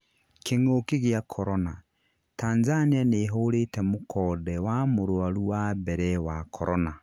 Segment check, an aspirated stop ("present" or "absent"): present